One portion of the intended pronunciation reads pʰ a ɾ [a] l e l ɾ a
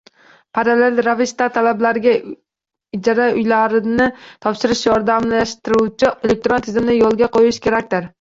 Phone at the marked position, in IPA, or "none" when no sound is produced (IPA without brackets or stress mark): a